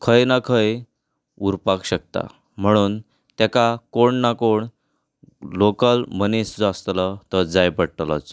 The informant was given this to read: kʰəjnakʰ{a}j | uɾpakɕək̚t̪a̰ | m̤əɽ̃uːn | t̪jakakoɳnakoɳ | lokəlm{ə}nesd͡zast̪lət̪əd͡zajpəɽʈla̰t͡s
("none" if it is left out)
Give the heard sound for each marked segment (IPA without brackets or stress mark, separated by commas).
ə, ə